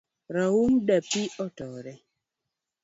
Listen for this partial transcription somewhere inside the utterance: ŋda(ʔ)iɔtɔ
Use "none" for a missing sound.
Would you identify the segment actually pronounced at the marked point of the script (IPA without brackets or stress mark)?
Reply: p